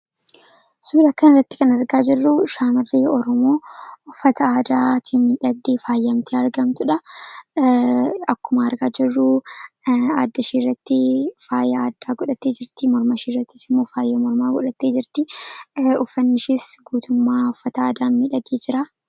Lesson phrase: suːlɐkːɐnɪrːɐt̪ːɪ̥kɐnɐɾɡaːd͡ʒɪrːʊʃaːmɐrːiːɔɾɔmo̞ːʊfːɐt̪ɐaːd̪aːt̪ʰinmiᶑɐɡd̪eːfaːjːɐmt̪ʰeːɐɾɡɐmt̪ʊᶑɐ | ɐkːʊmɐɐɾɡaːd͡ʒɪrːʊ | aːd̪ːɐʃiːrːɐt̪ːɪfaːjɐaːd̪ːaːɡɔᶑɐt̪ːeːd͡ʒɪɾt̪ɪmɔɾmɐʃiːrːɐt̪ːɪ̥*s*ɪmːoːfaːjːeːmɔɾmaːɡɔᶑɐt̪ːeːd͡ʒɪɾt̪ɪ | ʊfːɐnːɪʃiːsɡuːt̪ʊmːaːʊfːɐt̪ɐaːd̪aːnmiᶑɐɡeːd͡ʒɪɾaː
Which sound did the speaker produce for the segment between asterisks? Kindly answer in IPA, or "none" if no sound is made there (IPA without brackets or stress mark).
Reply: s